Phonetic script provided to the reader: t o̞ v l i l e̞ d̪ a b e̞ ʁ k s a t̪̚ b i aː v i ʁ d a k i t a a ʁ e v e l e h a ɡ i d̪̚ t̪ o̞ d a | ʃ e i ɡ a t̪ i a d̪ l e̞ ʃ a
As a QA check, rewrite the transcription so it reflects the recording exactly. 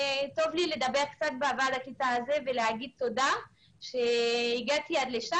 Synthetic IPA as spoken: t o̞ v l i l e̞ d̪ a b e̞ ʁ k t͡s a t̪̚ b e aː v a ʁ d a k i t a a z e v e l e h a ɡ i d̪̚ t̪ o̞ d a | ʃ e i ɡ a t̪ i a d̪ l e̞ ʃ a